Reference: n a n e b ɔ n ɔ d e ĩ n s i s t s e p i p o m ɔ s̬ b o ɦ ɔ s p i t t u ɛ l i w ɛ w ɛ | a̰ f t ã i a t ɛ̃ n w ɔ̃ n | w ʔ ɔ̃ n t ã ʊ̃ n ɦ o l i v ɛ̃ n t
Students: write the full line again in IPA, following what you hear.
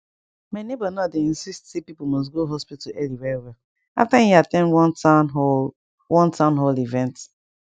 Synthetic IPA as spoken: m a n e b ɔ n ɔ d e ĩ n s i s t s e p i p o m ɔ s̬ ɡ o ɦ ɔ s p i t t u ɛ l i w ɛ w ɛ | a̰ f t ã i a t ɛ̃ n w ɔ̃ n | w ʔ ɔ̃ n t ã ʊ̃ n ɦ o l i v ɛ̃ n t